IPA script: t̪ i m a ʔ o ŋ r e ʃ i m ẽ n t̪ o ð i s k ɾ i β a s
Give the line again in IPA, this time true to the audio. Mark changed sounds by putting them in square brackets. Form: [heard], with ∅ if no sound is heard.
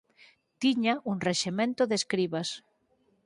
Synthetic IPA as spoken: t̪ i [ɲ] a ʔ [u] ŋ r e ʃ [e] m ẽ n t̪ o ð [e] s k ɾ i β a s